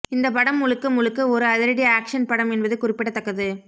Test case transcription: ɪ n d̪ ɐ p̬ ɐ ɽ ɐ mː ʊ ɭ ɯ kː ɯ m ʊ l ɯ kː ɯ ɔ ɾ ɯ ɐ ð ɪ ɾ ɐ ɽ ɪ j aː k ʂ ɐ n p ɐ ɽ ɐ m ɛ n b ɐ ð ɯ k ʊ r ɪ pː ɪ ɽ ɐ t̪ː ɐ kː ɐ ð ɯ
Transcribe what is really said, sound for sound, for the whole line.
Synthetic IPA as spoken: ɪ n d̪ ɐ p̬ ɐ ɽ ɐ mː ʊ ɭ ɯ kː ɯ m ʊ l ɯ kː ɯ ɔ ɾ ɯ ɐ ð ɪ ɾ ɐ ɽ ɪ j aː k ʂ ɐ n p ɐ ɽ ɐ m ɛ n b ɐ ð ɯ k ʊ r ɪ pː ɪ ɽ ɐ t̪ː ɐ kː ɐ ð ɯ